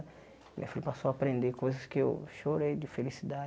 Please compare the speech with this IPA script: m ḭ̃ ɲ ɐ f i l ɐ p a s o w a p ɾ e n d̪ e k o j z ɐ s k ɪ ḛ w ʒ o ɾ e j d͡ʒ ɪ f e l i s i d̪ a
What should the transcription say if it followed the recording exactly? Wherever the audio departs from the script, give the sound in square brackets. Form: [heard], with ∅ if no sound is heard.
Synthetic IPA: m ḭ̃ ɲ ɐ f i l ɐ p a s o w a p ɾ [ẽ] n d̪ e k o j z ɐ s k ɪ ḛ w [ʃ] o ɾ e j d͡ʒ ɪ f e l i s i d̪ a